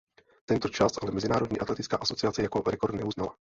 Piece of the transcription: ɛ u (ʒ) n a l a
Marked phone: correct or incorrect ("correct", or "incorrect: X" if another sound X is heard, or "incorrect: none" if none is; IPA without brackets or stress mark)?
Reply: incorrect: z